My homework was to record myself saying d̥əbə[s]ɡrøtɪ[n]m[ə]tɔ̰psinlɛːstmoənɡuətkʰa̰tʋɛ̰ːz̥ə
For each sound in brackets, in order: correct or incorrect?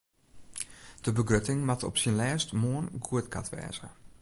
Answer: incorrect: none, incorrect: ŋ, incorrect: a

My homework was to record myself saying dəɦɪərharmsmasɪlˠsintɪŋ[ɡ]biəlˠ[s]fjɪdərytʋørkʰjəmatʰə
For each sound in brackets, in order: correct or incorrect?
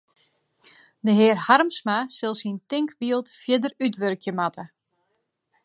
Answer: incorrect: k, incorrect: t

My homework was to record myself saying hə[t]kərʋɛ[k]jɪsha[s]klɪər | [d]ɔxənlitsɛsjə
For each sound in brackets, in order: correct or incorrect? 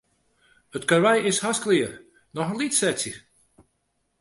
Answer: correct, incorrect: none, correct, incorrect: n

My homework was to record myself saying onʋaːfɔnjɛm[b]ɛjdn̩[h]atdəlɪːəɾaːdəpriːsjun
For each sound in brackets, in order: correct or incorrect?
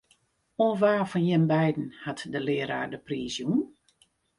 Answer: correct, correct

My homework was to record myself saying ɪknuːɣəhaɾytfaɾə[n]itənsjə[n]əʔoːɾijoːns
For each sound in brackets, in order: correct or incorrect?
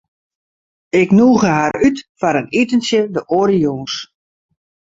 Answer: correct, incorrect: d

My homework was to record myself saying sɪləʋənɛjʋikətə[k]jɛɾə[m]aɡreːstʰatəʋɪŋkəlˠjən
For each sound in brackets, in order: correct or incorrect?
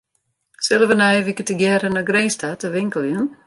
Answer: incorrect: ɡ, incorrect: n

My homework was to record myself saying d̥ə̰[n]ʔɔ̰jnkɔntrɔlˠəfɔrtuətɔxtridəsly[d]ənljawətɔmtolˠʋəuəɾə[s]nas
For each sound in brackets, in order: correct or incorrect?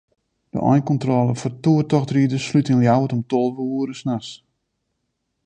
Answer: incorrect: none, incorrect: t, correct

